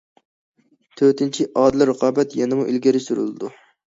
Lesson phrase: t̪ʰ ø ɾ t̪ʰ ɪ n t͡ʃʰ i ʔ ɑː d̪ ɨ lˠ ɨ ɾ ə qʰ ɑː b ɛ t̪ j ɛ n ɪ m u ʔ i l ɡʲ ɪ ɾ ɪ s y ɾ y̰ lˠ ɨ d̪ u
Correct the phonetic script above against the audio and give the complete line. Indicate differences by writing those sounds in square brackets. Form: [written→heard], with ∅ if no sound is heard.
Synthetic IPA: t̪ʰ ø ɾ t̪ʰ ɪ n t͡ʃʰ i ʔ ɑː d̪ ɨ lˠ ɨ ɾ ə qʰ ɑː b ɛ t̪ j ɛ n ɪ m u ʔ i l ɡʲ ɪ ɾ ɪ s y ɾ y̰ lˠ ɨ d̪ u